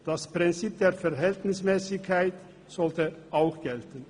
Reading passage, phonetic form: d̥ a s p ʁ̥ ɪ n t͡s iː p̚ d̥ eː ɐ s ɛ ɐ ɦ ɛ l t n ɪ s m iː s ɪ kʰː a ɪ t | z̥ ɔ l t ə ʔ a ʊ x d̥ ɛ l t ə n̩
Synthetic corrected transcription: d̥ a s p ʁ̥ ɪ n t͡s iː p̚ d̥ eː ɐ f ɛ ɐ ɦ ɛ l t n ɪ s m ɛː s ɪ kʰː a ɪ t | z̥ ɔ l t ə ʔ a ʊ x ɡ̥ ɛ l t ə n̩